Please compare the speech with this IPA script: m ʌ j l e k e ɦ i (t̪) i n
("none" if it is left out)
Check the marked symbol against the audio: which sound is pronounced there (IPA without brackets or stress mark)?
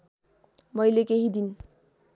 d̪